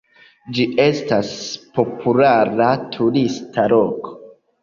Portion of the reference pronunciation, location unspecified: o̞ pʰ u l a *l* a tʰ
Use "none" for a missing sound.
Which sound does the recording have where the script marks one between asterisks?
ɾ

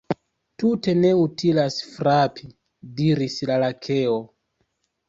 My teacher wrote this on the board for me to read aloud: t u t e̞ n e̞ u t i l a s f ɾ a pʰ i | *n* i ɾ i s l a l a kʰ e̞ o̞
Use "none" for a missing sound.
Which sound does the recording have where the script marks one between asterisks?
d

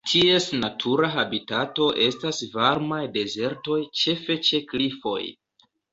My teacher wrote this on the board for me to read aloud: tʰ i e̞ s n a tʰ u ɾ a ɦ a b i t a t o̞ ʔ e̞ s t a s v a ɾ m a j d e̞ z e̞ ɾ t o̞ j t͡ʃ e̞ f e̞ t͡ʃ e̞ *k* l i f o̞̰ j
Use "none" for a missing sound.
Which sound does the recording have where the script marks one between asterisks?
k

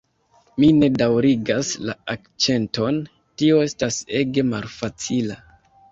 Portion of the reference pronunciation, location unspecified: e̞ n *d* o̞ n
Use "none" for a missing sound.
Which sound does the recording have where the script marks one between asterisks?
t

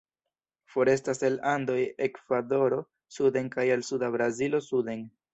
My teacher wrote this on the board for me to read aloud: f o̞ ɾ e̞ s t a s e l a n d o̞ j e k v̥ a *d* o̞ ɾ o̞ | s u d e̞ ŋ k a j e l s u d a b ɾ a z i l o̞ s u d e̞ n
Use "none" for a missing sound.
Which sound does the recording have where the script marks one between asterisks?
d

